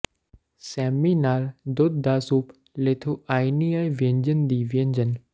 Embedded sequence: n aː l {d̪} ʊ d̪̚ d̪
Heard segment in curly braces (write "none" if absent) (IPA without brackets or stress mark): d̪